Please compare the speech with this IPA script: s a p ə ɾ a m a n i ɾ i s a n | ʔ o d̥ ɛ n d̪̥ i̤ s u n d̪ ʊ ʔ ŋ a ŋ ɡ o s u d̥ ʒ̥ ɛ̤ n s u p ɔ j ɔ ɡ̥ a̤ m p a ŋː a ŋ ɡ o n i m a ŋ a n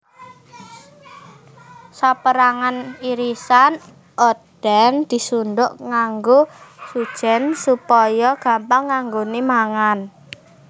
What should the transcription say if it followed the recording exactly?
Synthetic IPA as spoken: s a p ə ɾ a ŋ a n i ɾ i s a n | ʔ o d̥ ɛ n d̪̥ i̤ s u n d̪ ʊ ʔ ŋ a ŋ ɡ o s u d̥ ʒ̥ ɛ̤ n s u p ɔ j ɔ ɡ̥ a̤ m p a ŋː a ŋ ɡ o n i m a ŋ a n